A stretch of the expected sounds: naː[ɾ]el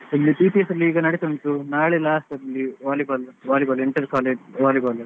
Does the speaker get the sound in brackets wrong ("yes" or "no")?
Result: yes